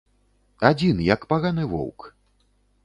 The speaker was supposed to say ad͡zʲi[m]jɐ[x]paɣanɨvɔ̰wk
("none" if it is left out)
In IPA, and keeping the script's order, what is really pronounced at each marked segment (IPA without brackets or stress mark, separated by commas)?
n, k